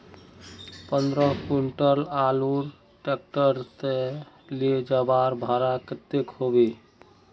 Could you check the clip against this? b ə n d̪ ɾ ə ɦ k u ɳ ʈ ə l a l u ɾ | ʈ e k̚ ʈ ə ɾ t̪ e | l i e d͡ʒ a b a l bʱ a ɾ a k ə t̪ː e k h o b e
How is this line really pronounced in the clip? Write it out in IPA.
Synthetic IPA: p ə n d̪ ɾ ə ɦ k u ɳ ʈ ə l a l u ɾ | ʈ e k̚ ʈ ə ɾ t̪ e | l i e d͡ʒ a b a ɾ bʱ a ɾ a k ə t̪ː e k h o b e